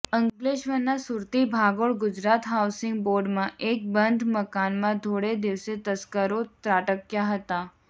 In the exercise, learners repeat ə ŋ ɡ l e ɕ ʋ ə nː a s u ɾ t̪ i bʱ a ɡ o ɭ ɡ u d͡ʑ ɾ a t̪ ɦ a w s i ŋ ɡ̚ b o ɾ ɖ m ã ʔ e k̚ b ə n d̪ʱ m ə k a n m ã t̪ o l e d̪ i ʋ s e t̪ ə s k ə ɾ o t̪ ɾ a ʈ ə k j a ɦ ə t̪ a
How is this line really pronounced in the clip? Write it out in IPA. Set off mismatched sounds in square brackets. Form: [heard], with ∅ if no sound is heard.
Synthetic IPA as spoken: ə ŋ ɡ l e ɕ ʋ ə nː a s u ɾ t̪ i bʱ a ɡ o ɭ ɡ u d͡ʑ ɾ a t̪ ɦ a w s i ŋ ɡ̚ b o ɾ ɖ m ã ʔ e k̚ b ə n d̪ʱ m ə k a n m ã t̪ o [ɽ] e d̪ i ʋ s e t̪ ə s k ə ɾ o t̪ ɾ a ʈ ə k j a ɦ ə t̪ a